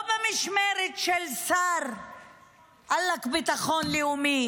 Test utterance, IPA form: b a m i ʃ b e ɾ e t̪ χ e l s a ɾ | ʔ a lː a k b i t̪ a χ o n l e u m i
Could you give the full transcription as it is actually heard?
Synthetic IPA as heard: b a m i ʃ m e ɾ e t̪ ʃ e l s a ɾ | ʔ a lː a k b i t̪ a χ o n l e u m i